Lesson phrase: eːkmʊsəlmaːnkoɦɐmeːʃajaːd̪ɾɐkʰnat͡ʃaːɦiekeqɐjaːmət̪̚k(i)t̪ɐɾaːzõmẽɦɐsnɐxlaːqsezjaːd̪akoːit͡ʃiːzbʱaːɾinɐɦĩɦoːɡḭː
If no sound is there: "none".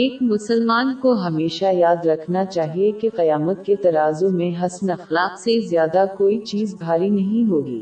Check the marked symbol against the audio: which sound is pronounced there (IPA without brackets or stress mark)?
e